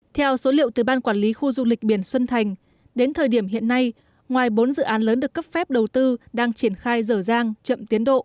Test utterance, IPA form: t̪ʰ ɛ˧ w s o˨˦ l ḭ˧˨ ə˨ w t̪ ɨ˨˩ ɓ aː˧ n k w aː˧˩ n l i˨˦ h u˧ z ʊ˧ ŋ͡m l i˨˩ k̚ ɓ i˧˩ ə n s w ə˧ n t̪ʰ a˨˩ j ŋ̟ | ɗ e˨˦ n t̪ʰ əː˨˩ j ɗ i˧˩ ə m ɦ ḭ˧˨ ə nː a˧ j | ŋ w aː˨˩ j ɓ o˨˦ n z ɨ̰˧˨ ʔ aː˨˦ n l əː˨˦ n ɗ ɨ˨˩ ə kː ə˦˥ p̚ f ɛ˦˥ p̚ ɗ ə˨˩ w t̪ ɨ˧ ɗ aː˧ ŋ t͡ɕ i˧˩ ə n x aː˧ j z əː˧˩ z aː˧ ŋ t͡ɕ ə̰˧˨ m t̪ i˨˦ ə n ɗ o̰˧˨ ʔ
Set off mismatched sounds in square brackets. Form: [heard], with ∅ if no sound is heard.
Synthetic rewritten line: t̪ʰ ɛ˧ w s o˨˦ l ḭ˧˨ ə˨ w t̪ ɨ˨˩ ɓ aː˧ n k w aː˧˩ n l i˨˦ [x] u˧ z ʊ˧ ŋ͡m l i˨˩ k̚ ɓ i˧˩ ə n s w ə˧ n t̪ʰ a˨˩ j ŋ̟ | ɗ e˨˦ n t̪ʰ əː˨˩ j ɗ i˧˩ ə m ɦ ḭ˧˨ ə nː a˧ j | ŋ w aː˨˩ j ɓ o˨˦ n z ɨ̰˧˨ ʔ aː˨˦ n l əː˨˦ n ɗ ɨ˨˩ ə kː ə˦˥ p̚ f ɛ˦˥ p̚ ɗ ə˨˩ w t̪ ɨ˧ ɗ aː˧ ŋ t͡ɕ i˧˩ ə n x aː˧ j z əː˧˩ z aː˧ ŋ t͡ɕ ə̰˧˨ m t̪ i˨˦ ə n ɗ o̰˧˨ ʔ